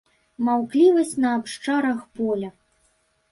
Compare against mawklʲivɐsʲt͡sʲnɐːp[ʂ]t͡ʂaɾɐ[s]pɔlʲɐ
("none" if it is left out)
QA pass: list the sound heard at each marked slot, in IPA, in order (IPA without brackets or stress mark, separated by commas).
ʂ, x